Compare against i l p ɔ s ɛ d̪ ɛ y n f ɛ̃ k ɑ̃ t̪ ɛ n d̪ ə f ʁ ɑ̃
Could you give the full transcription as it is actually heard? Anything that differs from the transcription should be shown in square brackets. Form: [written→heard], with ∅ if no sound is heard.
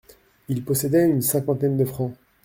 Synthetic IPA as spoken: i l p ɔ s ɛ d̪ ɛ y n [f→s] ɛ̃ k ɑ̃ t̪ ɛ n d̪ ə f [ʁ→χ] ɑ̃